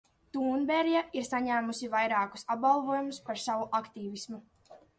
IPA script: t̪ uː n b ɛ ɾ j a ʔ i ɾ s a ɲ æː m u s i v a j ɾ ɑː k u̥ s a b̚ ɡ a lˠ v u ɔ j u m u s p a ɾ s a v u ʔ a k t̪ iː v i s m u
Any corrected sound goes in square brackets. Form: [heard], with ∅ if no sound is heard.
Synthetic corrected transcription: t̪ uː n b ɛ ɾ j a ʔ i ɾ s a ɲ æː m u s i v a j ɾ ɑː k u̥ s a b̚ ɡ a lˠ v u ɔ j u m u s p a ɾ s a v u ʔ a k t̪ iː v i s m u